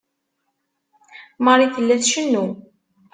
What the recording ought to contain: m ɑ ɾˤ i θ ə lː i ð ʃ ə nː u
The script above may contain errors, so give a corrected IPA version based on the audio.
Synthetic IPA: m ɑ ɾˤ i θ ə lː æ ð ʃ ə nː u